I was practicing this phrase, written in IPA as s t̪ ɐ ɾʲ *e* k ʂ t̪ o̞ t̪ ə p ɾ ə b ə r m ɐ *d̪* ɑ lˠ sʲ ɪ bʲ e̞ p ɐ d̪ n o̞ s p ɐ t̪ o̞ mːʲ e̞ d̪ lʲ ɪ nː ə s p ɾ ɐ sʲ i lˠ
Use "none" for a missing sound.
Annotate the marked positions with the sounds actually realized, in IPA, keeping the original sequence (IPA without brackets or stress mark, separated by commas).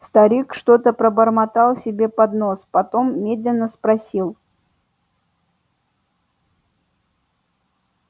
i, t̪